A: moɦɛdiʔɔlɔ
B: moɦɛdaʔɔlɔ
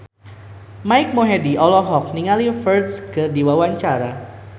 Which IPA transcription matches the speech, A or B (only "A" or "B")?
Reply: A